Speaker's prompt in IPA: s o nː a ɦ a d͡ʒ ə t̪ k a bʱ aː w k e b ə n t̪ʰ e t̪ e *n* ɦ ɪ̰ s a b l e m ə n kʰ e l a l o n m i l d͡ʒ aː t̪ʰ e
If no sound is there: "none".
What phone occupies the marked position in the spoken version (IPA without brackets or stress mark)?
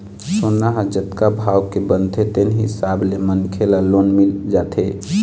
n